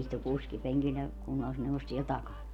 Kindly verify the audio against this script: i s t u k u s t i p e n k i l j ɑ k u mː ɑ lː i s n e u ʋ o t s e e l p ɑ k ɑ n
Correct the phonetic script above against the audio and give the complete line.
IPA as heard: i s t u k u s k i p e ŋ k i l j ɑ k u nː ɑ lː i s n e u ʋ o s s i e l t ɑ k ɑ n

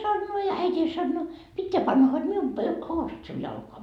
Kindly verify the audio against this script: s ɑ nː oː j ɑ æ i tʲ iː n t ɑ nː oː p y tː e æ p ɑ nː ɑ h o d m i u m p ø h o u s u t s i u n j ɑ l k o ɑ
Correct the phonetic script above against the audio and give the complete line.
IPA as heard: s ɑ nː oː j ɑ æ i tʲ iː n s ɑ nː oː p i tː e æ p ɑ nː ɑ h o d m i u m p ø h o u s u t s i u n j ɑ l k o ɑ

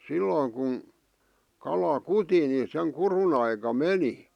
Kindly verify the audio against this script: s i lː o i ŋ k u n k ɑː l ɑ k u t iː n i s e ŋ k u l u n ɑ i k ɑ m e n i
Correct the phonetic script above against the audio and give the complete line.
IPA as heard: s i lː o i ŋ k u n k ɑ l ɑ k u t i n i s e ŋ k u r u n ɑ i k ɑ m e n i

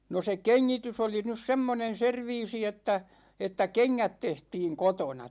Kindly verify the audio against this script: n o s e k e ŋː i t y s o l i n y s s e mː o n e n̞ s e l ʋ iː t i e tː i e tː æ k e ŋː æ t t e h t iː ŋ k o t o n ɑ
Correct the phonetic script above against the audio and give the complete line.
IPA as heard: n o s e k e ŋː i t y s o l i n y s s e mː o n e n̞ s e r ʋ iː s i e tː æ e tː æ k e ŋː æ t t e h t iː ŋ k o t o n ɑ

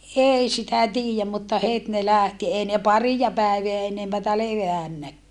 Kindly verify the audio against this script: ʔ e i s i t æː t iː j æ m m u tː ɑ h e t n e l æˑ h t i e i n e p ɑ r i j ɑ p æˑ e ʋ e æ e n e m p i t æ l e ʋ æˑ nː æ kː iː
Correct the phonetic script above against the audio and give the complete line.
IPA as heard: ʔ e i s i t æ t iː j æ m m u tː ɑ h e t n e l æˑ h t i e i n e p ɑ r i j ɑ p æˑ e ʋ e æ e n e m p æ t æ l e ʋ æˑ nː æ kː æː

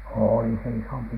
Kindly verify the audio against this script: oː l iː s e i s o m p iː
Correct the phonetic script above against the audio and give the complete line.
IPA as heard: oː l i s e i s o m p i

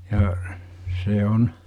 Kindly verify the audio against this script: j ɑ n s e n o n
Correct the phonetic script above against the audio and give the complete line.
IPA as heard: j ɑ s e o n

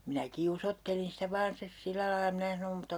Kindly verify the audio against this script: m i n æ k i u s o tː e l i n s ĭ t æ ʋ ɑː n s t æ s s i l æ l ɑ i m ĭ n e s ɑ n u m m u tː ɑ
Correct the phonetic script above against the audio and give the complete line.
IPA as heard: m i n æ k i u s o tː e l i n s ĭ t æ ʋ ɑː n s t e s s i lː æ l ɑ i m ĭ n æ s ɑ n o m m u tː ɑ

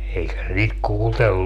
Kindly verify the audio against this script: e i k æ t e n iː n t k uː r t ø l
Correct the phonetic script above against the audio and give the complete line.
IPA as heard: e i k æ s e n iː t k uː l t e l

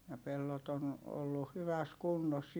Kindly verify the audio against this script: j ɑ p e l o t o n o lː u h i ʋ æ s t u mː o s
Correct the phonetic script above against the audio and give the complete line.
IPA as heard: j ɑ p e lː o t o n o lː u h y ʋ æ s k u nː o s

